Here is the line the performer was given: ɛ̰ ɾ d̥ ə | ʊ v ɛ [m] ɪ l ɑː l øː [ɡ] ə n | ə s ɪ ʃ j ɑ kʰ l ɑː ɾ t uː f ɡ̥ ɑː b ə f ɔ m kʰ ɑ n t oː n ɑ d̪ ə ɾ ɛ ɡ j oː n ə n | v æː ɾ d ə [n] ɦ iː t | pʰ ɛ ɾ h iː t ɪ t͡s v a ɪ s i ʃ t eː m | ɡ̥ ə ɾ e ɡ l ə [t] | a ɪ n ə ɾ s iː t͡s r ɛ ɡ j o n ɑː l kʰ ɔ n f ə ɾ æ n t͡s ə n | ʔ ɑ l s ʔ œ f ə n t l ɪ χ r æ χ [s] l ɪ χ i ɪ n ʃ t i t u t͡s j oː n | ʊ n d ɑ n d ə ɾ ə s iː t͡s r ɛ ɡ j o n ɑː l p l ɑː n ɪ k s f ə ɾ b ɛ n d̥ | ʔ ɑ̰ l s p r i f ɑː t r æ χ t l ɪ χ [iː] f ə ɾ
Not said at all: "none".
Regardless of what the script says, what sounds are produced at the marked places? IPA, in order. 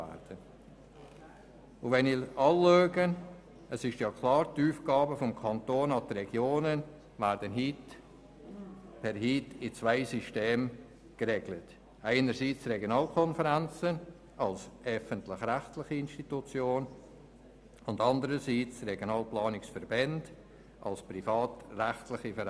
n, ɡ, n, t, t, i

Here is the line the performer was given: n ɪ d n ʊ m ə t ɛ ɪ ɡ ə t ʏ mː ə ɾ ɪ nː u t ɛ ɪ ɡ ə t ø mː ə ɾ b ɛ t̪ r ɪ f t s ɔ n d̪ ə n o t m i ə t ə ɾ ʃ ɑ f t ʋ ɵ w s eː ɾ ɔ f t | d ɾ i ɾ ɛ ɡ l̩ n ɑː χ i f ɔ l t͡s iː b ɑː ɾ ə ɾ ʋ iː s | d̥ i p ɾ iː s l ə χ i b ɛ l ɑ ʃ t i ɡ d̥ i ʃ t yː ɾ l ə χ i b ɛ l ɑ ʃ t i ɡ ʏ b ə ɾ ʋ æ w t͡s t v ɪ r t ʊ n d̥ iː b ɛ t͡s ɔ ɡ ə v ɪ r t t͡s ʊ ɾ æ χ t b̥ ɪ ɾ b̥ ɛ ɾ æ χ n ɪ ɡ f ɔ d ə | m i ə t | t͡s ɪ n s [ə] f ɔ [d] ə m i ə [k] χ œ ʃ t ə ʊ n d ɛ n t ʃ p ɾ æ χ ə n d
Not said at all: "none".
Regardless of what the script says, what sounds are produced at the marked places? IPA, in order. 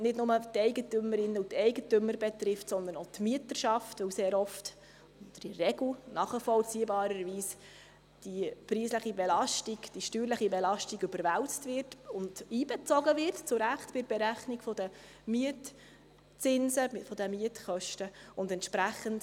ə, d, t

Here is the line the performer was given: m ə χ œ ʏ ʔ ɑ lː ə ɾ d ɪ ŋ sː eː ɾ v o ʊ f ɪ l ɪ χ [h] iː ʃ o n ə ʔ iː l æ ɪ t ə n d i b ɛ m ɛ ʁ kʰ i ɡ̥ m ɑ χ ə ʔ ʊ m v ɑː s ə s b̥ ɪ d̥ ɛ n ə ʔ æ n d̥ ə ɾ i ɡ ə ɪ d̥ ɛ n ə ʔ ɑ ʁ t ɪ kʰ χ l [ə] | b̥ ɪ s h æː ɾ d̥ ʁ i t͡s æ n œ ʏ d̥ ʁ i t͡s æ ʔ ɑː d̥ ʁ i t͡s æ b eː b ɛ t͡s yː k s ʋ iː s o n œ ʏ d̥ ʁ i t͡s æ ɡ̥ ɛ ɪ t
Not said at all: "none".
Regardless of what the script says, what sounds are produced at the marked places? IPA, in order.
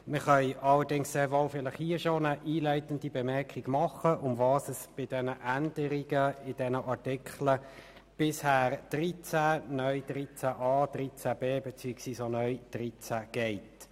h, ə

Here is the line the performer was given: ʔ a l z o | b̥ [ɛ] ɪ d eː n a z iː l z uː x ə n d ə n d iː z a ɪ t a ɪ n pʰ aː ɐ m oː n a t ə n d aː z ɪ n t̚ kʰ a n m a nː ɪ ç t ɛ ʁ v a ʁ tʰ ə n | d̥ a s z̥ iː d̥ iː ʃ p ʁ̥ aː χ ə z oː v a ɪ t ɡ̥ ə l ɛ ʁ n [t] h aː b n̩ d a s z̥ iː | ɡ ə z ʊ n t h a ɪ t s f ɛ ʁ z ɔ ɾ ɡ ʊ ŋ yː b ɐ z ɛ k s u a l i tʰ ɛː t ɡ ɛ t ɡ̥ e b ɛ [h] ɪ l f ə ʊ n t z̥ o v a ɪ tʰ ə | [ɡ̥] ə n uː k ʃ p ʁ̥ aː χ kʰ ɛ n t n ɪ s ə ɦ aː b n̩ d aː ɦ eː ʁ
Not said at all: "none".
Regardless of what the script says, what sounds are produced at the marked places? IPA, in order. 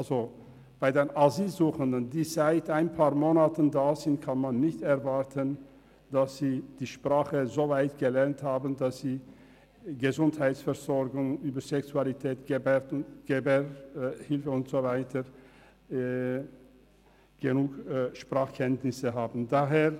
a, t, h, ɡ̥

